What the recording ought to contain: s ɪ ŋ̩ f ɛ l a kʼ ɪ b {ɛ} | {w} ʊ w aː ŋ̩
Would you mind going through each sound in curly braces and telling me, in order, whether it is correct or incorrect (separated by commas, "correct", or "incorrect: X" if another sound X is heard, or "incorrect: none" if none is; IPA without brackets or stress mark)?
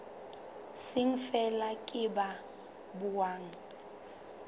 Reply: incorrect: a, incorrect: b